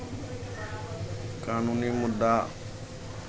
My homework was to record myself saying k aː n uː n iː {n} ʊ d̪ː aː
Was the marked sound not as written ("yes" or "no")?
yes